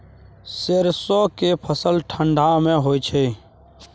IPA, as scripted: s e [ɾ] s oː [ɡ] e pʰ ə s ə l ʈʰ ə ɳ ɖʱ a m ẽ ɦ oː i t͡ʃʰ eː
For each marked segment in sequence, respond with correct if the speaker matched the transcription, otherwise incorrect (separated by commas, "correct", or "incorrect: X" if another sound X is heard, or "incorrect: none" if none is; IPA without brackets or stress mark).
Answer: correct, incorrect: k